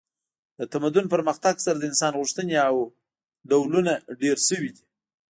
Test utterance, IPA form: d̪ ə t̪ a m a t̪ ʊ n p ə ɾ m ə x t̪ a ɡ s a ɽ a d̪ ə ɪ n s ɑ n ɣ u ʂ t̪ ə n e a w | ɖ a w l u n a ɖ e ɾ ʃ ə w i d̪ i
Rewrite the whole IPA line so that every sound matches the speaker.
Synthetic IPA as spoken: d̪ ə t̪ a m a d̪ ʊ n p ə ɾ m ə x t̪ a ɡ s a ɾ a d̪ ə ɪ n s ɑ n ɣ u ʂ t̪ ə n e a w | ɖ a w l u n a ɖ e ɾ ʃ ə w i d̪ i